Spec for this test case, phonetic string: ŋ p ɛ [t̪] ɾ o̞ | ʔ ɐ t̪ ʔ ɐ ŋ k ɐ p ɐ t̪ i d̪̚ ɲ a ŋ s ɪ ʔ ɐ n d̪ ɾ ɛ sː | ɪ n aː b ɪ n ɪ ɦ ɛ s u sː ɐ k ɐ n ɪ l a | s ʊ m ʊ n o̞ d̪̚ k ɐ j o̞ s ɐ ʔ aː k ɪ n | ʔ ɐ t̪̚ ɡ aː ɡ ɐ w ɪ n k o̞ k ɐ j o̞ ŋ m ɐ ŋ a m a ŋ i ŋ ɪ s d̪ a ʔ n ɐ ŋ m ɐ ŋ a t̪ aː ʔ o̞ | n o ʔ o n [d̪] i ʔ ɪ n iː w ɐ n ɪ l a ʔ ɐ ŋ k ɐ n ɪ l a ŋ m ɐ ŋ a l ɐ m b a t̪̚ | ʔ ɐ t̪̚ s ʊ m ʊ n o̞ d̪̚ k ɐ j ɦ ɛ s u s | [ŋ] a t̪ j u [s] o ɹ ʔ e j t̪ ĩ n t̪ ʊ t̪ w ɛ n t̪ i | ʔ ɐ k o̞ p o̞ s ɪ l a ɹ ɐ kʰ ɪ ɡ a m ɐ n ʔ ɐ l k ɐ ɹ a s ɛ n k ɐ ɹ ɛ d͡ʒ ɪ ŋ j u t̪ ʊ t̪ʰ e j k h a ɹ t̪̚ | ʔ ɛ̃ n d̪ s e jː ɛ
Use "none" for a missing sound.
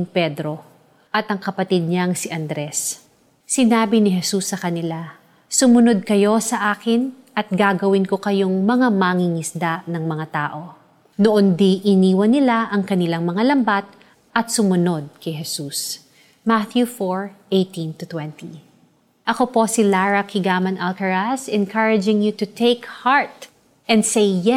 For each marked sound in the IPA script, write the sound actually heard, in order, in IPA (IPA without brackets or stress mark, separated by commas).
d̪, d̪, m, f